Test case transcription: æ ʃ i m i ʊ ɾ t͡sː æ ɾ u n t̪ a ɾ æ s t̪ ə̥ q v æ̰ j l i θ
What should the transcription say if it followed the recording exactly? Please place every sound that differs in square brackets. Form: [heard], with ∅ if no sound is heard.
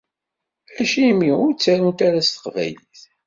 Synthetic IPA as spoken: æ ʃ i m i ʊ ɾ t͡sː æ ɾ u n t̪ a ɾ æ s t̪ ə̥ q v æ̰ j l i θ